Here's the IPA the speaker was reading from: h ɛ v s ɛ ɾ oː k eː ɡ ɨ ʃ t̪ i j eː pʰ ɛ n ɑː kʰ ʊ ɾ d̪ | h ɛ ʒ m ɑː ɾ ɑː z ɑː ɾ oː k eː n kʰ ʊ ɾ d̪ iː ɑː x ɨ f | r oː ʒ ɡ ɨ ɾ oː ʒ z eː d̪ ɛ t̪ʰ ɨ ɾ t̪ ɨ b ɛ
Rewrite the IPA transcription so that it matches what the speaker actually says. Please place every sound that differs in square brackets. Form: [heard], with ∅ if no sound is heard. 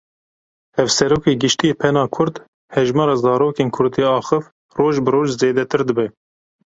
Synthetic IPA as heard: h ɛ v s ɛ ɾ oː k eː ɡ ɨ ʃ t̪ i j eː pʰ ɛ n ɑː kʰ ʊ ɾ d̪ | h ɛ ʒ m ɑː ɾ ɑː z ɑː ɾ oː k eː n kʰ ʊ ɾ d̪ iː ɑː x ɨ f | r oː ʒ [b] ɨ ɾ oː ʒ z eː d̪ ɛ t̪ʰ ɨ ɾ [d̪] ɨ b ɛ